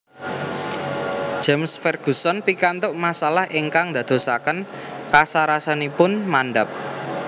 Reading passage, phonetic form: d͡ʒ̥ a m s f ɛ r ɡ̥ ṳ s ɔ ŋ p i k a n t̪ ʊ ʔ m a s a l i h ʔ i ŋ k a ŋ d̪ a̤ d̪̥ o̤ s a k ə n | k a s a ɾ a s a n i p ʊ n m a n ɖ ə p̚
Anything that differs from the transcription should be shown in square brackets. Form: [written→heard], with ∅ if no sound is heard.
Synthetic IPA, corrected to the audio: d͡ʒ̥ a m s f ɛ r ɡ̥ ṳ s ɔ [ŋ→n] p i k a n t̪ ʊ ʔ m a s a l [i→a] h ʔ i ŋ k a ŋ d̪ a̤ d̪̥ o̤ s a k ə n | k a s a ɾ a s a n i p ʊ n m a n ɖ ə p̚

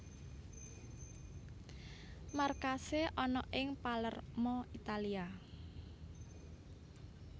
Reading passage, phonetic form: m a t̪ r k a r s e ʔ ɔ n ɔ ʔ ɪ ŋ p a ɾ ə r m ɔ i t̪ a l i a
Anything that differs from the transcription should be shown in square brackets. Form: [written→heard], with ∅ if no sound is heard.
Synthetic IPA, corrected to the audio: m a [t̪→∅] r k a [r→∅] s e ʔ ɔ n ɔ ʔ ɪ ŋ p a [ɾ→l] ə r m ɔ i t̪ a l i a

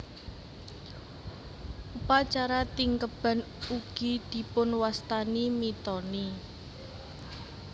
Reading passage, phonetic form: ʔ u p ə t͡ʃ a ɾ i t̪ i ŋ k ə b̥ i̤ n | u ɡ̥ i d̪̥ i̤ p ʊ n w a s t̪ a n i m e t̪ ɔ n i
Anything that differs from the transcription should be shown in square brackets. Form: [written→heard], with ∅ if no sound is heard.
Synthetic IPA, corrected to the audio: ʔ u p [ə→a] t͡ʃ a ɾ [i→a] t̪ i ŋ k ə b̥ [i̤→a̤] n | u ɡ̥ i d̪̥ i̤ p ʊ n w a s t̪ a n i m [e→i] t̪ ɔ n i

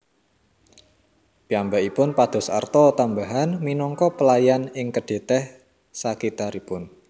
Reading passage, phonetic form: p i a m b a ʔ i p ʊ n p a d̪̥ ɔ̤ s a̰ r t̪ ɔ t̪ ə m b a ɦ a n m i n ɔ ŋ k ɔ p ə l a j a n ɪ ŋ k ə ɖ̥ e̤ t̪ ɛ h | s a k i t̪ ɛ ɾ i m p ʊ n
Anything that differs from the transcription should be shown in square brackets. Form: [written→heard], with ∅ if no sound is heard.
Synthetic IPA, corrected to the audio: p i a m b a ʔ i p ʊ n p a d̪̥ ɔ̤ s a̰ r t̪ ɔ t̪ [ə→a] m b a ɦ a n m i n ɔ ŋ k ɔ p ə l a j a n ɪ ŋ k ə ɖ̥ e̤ t̪ ɛ h | s a k i t̪ [ɛ→a] ɾ i [m→∅] p ʊ n

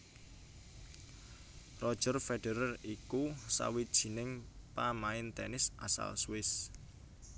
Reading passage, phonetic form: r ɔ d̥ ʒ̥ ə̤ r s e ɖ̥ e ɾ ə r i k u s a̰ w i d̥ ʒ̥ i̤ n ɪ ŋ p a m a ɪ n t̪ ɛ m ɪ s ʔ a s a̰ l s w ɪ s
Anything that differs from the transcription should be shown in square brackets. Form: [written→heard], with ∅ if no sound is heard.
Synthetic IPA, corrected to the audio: r ɔ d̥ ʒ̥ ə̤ r [s→f] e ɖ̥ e ɾ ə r i k u s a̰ w i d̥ ʒ̥ i̤ n ɪ ŋ p a m a ɪ n t̪ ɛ [m→n] ɪ s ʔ a s a̰ l s w ɪ s

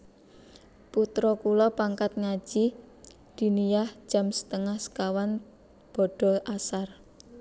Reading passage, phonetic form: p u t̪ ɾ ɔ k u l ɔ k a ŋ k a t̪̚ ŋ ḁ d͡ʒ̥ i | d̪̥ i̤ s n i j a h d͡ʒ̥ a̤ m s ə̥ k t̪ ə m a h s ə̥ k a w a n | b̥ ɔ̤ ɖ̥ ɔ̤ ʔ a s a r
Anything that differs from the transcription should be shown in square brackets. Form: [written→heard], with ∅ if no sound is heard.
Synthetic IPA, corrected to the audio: p u t̪ ɾ ɔ k u l ɔ [k→p] a ŋ k a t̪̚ ŋ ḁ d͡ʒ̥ i | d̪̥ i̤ [s→∅] n i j a h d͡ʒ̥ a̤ m s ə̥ [k→∅] t̪ ə [m→ŋ] a h s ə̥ k a w a n | b̥ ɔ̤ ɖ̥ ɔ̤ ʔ a s a r

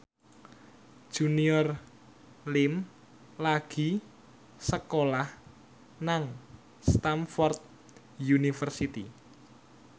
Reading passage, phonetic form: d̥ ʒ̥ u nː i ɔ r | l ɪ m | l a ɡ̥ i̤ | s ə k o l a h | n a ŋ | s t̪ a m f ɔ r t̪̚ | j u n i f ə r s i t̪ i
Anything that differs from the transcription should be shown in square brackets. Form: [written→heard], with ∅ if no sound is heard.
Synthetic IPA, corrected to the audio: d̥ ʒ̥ u [nː→n] i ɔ r | l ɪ m | l a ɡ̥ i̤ | s ə k o l a h | n a ŋ | s t̪ a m f ɔ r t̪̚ | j u n i f ə r s i t̪ i

